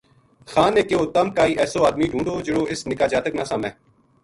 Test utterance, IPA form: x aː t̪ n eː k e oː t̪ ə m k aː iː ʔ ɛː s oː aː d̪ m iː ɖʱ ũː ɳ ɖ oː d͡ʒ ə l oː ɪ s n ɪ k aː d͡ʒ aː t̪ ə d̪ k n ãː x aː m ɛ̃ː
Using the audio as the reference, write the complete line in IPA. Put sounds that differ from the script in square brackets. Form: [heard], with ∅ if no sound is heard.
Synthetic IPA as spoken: x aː [∅] n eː k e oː t̪ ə m k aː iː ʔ ɛː s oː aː d̪ m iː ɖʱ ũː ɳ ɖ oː d͡ʒ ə [ɽ] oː ɪ s n ɪ k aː d͡ʒ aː t̪ ə [∅] k n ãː [s] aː m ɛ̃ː

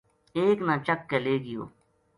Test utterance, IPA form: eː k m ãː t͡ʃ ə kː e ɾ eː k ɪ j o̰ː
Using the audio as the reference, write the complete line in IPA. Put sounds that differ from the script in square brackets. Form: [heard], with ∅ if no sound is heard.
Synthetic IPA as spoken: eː k [n] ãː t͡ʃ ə kː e [l] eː [ɡ] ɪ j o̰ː

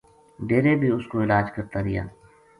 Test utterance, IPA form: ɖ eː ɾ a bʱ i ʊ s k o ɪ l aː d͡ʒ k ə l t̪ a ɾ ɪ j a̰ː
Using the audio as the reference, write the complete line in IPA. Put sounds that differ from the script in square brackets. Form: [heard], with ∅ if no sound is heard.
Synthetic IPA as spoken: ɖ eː ɾ [e] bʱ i ʊ s k o ɪ l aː d͡ʒ k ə [ɾ] t̪ a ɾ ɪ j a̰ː

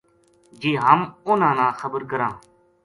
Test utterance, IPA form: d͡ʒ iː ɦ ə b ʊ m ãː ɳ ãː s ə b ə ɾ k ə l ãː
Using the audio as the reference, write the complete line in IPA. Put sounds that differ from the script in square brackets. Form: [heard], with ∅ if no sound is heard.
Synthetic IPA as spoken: d͡ʒ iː ɦ ə [m] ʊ [n] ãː [n] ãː [x] ə b ə ɾ k ə [ɾ] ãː

